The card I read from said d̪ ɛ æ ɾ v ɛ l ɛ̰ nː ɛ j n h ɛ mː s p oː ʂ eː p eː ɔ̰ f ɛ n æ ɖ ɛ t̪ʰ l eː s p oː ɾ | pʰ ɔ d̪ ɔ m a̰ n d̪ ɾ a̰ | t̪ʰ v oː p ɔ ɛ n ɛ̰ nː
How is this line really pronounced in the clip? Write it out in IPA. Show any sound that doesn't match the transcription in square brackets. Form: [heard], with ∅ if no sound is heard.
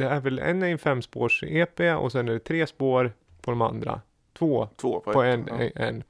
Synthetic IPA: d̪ ɛ æ ɾ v ɛ l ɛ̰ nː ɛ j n [f] ɛ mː s p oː ʂ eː p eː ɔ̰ [s] ɛ n æ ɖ ɛ t̪ʰ [ɾ] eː s p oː ɾ | pʰ ɔ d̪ ɔ m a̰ n d̪ ɾ a̰ | t̪ʰ v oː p ɔ ɛ n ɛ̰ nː